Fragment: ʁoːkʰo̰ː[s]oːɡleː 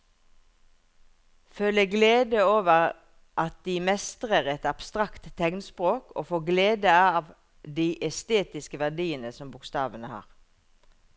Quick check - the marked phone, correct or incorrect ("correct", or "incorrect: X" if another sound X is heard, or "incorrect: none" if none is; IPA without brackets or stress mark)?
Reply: incorrect: f